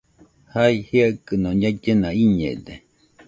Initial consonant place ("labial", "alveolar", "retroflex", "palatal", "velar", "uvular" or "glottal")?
glottal